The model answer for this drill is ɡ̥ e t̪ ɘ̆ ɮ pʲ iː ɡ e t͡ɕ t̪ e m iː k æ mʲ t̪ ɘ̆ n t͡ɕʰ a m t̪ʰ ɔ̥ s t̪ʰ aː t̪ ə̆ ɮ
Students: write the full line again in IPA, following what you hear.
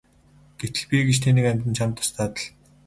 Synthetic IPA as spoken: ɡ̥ e t̪ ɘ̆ ɮ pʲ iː ɡ e t͡ɕ t̪ʰ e n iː k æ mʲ t̪ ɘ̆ n t͡ɕʰ a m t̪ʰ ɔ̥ s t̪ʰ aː t̪ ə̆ ɮ